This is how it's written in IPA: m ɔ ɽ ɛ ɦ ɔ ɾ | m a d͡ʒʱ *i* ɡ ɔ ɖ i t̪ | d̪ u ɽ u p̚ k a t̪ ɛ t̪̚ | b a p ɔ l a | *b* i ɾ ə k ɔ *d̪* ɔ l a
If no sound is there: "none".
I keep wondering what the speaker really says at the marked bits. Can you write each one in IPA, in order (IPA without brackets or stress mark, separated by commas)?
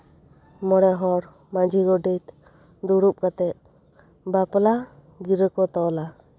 i, ɡ, t̪